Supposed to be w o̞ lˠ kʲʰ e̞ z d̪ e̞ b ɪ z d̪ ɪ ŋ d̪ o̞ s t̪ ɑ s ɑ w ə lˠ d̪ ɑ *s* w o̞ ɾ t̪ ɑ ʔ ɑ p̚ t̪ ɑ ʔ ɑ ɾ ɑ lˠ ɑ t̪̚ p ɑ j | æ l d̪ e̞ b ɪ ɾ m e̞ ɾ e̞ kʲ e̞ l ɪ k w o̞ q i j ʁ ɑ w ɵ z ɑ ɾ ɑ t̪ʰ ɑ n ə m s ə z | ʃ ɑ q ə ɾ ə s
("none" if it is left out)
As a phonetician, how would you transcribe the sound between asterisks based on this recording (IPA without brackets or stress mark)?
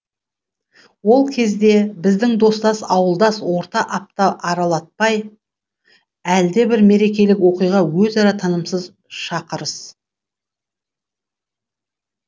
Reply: s